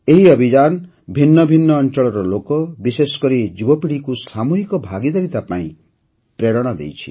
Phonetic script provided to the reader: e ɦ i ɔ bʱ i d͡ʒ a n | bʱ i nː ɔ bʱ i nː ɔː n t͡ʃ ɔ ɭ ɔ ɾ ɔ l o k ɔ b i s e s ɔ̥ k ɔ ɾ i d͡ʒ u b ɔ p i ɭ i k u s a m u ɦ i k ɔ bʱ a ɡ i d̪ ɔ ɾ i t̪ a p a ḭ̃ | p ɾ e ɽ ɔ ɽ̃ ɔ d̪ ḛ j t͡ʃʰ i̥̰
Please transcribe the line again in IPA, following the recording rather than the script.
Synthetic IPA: e ɦ i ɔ bʱ i d͡ʒ a n | bʱ i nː ɔ bʱ i nː ɔː n t͡ʃ ɔ ɭ ɔ ɾ ɔ l o k ɔ b i s e s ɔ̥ k ɔ ɾ i d͡ʒ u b ɔ p i ɽ i k u s a m u ɦ i k ɔ bʱ a ɡ i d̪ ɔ ɾ i t̪ a p a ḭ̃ | p ɾ e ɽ ɔ ɽ̃ ɔ d̪ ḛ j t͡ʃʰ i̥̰